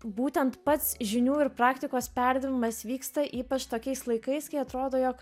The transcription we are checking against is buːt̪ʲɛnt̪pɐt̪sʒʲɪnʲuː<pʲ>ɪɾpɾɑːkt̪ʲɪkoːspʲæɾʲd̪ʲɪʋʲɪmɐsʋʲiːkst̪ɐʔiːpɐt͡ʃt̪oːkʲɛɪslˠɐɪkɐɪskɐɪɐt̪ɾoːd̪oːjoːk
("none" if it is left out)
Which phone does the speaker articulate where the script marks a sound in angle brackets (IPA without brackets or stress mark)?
none